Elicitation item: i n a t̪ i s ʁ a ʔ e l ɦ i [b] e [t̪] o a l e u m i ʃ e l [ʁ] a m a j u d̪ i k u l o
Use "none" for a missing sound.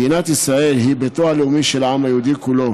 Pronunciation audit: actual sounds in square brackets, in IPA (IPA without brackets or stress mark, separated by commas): b, t̪, ʕ